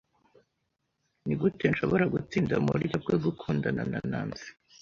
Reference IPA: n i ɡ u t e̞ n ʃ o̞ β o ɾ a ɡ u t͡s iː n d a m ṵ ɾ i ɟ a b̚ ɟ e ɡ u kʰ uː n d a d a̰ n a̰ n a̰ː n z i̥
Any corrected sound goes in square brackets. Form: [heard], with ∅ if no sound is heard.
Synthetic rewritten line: n i ɡ u t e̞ n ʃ o̞ β o ɾ a ɡ u t͡s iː n d a m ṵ ɾ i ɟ a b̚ [ɡ] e ɡ u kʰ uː n d a [n] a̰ n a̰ n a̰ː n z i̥